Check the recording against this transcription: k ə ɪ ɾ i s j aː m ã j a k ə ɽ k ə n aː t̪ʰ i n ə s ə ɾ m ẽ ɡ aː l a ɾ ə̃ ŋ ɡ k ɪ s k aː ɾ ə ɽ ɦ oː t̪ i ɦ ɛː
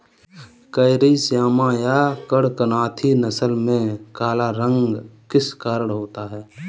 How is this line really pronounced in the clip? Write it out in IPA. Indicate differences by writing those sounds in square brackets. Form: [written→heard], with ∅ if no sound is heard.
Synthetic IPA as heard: k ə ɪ ɾ i s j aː m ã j a k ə ɽ k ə n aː t̪ʰ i n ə s ə [ɾ→l] m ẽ [ɡ→k] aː l a ɾ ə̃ ŋ ɡ k ɪ s k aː ɾ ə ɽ ɦ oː t̪ [i→a] ɦ ɛː